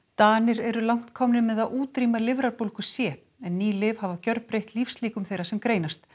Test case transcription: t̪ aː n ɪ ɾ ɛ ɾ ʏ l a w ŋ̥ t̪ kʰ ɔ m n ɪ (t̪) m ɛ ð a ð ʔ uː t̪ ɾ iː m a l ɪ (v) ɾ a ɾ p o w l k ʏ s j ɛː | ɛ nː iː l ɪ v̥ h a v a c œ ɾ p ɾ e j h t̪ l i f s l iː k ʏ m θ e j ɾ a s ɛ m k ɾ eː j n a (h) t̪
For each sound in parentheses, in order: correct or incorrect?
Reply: incorrect, correct, incorrect

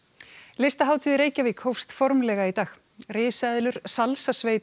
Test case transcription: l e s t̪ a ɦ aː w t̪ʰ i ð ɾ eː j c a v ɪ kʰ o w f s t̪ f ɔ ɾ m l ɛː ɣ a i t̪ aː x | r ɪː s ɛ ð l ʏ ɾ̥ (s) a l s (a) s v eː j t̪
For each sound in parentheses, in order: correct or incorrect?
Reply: correct, correct

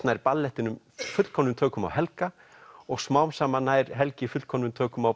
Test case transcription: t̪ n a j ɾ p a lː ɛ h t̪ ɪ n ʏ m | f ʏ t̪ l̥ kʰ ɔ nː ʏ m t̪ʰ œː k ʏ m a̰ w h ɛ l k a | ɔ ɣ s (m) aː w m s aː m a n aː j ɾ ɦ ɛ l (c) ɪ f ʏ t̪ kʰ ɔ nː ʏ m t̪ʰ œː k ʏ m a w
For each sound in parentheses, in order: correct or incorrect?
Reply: correct, correct

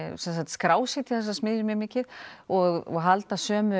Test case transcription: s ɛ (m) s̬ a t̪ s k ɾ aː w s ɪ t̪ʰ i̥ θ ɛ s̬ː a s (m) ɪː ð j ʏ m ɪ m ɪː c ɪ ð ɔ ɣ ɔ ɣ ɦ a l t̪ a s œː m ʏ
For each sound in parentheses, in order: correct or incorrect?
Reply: incorrect, correct

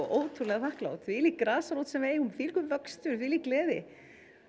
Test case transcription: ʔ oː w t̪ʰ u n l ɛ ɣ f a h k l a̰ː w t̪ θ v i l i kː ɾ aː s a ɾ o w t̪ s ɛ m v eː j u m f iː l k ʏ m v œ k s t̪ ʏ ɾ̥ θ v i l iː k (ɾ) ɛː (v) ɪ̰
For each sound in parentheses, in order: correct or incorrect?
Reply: incorrect, incorrect

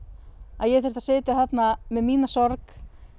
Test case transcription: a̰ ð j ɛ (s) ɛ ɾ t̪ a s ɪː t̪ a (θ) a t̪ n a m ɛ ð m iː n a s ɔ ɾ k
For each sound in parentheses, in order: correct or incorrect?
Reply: incorrect, correct

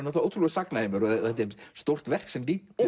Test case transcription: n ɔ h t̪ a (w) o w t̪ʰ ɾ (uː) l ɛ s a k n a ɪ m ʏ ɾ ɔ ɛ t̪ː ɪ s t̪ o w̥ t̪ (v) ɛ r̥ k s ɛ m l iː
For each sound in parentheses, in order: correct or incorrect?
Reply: incorrect, incorrect, correct

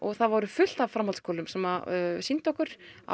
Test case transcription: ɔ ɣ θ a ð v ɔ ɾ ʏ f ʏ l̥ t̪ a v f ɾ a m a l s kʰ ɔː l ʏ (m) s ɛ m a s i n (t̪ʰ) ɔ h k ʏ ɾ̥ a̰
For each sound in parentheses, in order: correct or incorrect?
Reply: correct, incorrect

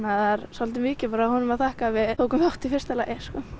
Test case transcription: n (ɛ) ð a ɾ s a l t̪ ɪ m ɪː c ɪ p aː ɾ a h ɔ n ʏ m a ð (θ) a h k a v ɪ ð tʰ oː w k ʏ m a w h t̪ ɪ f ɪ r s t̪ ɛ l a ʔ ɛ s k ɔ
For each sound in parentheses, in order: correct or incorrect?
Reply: incorrect, correct

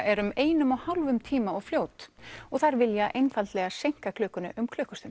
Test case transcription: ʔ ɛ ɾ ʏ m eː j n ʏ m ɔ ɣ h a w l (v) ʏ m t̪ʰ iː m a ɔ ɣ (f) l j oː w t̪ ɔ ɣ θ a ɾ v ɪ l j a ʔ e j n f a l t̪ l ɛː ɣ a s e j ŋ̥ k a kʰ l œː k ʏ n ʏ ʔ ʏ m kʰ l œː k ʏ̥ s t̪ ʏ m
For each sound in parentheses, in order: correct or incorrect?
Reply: correct, correct

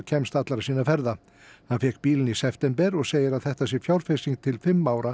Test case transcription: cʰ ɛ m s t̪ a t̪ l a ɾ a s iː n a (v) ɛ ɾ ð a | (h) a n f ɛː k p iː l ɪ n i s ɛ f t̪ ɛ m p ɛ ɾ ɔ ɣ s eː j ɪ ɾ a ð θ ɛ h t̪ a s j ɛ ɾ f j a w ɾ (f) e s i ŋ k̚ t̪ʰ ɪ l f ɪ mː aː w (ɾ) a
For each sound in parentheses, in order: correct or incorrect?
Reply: incorrect, correct, correct, correct

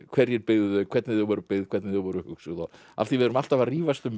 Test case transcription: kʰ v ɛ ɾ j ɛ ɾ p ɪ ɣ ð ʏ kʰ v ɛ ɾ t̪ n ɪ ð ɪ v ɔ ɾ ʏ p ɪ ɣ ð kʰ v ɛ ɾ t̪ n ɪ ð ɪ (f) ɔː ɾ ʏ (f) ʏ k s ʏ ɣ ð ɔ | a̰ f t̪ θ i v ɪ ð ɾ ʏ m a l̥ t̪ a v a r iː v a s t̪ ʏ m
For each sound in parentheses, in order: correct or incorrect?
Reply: incorrect, incorrect

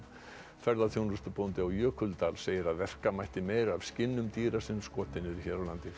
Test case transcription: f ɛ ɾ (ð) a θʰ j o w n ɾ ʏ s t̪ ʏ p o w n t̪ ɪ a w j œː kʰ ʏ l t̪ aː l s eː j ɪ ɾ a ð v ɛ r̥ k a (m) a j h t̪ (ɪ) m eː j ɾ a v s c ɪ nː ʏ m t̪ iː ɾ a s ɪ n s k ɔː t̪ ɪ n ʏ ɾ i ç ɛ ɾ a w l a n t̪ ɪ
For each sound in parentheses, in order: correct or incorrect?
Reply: correct, correct, correct

